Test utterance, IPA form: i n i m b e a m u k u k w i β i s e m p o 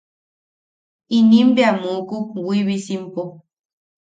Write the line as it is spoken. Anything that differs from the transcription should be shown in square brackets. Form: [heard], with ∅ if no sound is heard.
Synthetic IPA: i n i m b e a m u k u k w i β i s [i] m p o